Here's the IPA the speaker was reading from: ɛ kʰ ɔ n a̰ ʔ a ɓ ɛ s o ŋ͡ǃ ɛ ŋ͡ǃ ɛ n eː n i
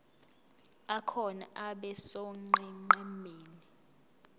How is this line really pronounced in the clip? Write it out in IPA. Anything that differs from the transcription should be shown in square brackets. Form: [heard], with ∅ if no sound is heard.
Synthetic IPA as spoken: [a] kʰ ɔ n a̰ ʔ a ɓ ɛ s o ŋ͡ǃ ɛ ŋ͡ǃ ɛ [m] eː n i